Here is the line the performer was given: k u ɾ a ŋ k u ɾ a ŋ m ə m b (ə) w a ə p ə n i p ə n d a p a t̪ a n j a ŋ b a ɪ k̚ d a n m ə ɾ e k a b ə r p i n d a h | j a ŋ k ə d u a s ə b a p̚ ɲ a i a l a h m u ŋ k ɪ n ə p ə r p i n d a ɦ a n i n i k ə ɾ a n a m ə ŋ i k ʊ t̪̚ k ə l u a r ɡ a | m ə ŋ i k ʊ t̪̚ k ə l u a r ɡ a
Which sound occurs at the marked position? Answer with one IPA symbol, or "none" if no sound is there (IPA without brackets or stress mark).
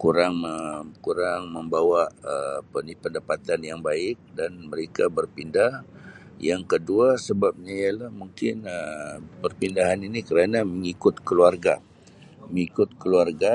a